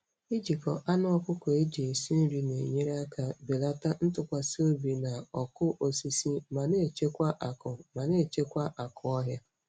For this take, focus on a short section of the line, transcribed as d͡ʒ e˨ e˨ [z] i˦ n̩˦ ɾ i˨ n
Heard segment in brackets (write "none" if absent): s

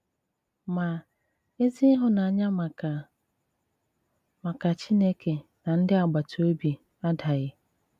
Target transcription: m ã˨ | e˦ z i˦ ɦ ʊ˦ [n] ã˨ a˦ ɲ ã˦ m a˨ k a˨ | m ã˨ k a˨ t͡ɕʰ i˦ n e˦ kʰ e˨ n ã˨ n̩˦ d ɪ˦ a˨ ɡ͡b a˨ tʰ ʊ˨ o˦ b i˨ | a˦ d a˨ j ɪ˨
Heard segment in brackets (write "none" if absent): n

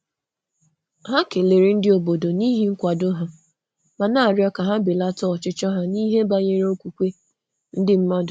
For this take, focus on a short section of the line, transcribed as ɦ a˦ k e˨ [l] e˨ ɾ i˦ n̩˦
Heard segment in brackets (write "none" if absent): l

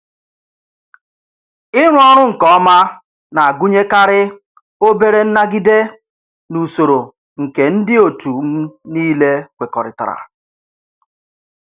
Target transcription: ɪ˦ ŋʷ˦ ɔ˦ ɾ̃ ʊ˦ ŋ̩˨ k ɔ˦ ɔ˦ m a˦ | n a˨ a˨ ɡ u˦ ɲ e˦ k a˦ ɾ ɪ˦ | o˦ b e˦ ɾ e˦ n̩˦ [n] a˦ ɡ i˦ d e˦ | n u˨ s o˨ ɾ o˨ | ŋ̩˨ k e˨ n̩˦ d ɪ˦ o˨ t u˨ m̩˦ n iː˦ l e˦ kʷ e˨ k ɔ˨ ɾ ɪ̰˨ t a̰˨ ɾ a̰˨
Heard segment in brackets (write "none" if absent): n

